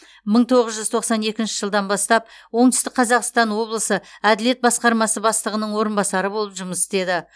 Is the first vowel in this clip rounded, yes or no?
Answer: no